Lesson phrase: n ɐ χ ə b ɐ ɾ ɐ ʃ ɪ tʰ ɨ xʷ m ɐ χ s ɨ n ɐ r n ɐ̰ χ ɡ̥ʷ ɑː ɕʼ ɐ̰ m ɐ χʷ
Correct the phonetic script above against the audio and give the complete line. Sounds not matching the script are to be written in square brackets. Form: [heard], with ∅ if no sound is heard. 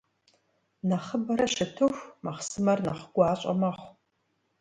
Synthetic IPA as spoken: n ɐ χ ə b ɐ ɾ ɐ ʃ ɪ tʰ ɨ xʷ m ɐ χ s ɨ [m] ɐ r n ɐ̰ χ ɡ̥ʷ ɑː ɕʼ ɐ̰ m ɐ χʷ